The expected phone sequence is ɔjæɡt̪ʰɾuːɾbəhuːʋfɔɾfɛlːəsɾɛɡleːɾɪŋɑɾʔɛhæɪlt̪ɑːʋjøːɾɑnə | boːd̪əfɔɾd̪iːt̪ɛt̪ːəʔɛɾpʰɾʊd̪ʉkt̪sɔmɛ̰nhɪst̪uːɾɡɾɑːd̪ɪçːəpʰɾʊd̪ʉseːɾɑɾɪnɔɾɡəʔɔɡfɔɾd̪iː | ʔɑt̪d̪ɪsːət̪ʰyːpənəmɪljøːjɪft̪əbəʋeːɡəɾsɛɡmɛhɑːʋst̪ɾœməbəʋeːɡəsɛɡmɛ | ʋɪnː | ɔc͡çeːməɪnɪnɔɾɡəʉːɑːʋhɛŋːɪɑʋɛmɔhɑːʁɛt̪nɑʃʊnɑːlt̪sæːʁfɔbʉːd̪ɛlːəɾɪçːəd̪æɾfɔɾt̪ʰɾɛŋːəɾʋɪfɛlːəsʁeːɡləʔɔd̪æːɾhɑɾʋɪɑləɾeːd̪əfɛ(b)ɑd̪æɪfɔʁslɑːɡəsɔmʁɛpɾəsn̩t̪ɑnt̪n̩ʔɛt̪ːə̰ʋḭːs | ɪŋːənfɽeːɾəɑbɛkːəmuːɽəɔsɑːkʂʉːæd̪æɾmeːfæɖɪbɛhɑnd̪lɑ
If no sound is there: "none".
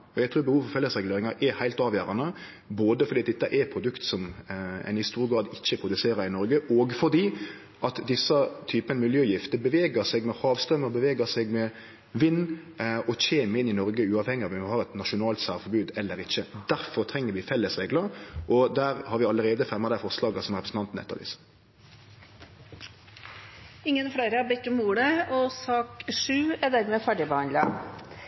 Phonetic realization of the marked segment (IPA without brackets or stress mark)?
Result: m